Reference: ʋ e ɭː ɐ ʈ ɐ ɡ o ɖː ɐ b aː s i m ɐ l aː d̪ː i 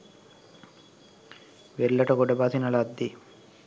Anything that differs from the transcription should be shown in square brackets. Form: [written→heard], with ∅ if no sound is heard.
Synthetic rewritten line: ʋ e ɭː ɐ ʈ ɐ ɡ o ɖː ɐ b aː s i [m→n] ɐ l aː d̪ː i